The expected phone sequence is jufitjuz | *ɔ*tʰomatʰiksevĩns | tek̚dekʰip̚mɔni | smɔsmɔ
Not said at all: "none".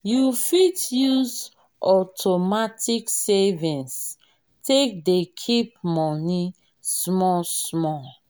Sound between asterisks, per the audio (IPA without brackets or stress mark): ɔ